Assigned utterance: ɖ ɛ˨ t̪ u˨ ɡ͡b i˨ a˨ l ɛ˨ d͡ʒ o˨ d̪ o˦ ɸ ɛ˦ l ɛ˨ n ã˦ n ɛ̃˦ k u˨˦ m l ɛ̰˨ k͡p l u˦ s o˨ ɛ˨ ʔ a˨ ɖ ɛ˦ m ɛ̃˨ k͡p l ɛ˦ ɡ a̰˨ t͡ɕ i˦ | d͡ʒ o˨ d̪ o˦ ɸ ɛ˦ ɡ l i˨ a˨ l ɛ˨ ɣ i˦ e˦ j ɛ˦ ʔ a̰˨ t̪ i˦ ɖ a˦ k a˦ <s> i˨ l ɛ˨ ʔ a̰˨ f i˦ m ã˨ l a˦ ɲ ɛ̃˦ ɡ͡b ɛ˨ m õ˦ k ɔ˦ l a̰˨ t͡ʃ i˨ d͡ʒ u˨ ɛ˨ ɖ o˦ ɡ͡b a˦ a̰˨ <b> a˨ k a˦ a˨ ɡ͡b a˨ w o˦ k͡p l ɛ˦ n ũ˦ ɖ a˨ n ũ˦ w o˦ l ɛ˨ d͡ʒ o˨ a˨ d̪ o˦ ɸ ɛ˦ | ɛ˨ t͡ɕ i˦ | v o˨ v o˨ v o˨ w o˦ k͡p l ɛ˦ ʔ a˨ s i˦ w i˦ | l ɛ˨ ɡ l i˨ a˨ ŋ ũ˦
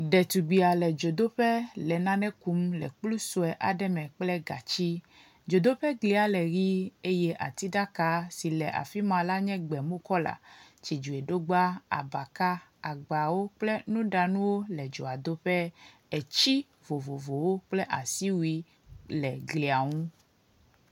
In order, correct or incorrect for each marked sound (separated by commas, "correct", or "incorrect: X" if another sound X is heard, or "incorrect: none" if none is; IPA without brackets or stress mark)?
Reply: correct, correct